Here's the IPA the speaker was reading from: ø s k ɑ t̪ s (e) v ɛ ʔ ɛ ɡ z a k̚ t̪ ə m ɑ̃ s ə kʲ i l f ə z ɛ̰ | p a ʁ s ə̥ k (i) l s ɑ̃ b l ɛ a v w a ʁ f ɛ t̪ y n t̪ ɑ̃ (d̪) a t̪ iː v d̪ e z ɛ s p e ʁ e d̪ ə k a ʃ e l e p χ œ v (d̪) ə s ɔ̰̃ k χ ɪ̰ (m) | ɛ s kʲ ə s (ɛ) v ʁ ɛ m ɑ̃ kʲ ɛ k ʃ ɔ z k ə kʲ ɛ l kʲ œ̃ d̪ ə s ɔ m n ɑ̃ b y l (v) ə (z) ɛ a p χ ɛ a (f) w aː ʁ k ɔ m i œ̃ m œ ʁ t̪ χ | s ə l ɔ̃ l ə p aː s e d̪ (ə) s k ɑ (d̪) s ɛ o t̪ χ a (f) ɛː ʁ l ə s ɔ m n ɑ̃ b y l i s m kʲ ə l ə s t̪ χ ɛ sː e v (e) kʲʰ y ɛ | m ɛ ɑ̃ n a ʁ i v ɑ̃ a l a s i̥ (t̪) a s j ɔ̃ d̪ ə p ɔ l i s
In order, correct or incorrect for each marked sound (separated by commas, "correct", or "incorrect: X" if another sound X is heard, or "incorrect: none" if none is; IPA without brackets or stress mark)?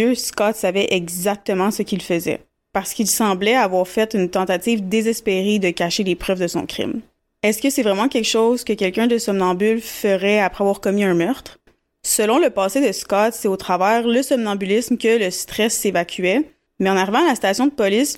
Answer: incorrect: a, correct, incorrect: t̪, correct, correct, correct, incorrect: f, incorrect: ʁ, incorrect: v, correct, incorrect: t̪, incorrect: v, incorrect: a, correct